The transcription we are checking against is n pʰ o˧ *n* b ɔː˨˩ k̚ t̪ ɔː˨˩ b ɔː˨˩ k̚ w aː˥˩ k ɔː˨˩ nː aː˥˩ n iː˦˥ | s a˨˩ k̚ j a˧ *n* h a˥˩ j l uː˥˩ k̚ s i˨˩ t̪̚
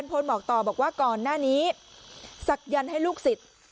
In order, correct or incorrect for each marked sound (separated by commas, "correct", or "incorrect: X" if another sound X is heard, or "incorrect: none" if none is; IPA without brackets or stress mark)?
correct, correct